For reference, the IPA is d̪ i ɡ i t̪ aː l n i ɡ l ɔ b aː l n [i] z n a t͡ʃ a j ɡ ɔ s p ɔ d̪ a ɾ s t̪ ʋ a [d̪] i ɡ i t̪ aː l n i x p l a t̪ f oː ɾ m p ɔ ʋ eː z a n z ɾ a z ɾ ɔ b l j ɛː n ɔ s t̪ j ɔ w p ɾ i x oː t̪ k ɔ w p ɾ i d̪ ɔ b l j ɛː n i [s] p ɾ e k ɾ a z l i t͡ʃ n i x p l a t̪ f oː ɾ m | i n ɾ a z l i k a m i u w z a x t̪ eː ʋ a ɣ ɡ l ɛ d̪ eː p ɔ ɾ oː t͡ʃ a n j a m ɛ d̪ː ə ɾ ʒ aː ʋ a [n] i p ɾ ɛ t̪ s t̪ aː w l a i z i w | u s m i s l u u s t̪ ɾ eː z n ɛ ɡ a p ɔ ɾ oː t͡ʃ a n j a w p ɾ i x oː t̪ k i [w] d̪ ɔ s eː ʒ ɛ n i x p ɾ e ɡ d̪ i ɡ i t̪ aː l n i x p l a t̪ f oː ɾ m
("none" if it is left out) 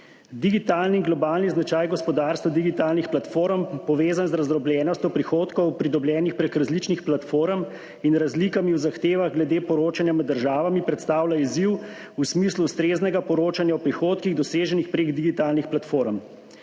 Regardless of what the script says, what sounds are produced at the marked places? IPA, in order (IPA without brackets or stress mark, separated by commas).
i, d̪, x, m, ɣ